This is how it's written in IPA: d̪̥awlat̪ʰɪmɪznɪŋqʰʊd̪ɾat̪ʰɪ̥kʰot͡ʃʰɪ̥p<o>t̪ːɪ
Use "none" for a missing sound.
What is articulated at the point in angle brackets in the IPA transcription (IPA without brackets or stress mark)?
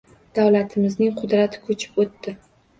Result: o